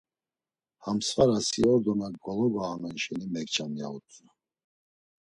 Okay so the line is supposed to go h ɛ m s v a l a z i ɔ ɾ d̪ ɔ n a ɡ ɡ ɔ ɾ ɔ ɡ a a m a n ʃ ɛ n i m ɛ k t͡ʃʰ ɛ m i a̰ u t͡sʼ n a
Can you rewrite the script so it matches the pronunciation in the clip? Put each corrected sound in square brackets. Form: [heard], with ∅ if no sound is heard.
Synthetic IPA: h [a] m s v a [ɾ] a [s] i ɔ ɾ d̪ ɔ n a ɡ ɡ ɔ [l] ɔ ɡ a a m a n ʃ ɛ n i m ɛ k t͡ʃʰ [a] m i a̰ u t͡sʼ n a